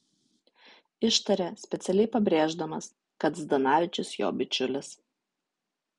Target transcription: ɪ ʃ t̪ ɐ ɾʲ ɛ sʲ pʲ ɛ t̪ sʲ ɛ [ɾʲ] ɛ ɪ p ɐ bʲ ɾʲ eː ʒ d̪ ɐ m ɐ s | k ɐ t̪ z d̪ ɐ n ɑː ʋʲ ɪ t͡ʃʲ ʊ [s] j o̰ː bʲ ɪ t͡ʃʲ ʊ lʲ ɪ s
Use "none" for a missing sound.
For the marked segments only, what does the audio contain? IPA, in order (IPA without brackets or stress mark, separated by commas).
lʲ, s